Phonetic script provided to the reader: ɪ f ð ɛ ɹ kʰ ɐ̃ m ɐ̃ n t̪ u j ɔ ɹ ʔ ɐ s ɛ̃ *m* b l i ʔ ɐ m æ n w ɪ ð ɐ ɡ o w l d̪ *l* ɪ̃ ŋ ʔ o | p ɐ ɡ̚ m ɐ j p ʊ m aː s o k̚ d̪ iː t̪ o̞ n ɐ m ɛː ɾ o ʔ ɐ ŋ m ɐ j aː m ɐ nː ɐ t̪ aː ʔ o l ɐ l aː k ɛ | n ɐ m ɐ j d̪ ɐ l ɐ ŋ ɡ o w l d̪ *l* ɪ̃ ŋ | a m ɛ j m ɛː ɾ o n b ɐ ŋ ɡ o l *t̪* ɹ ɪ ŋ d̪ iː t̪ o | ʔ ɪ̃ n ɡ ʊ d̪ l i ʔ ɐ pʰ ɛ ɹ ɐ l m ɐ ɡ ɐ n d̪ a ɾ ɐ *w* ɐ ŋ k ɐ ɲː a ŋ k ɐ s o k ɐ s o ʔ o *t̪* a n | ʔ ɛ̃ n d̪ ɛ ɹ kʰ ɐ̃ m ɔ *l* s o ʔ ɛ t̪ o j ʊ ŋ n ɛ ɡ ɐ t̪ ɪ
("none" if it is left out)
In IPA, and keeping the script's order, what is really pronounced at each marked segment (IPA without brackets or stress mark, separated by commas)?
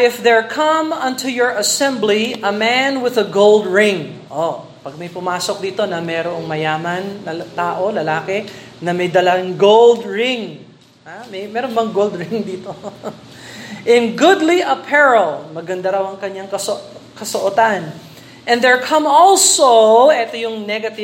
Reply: m, ɹ, ɹ, d̪, w, t̪, l